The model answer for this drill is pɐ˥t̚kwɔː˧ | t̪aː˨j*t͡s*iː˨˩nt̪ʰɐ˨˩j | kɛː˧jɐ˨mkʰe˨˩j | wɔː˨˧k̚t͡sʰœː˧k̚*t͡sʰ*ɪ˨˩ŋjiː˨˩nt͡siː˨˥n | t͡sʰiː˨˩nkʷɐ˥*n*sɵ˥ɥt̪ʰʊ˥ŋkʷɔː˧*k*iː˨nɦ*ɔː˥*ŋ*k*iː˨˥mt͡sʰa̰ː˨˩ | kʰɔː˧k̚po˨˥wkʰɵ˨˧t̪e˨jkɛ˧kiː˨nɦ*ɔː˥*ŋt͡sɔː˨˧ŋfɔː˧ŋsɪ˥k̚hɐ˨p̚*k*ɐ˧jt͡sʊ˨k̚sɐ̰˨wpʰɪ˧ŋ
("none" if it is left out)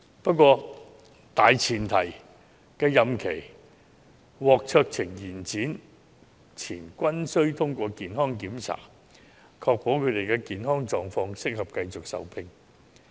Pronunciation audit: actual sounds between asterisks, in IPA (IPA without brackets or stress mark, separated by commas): t͡sʰ, t͡sʰ, n, k, ɔː˥, k, ɔː˥, k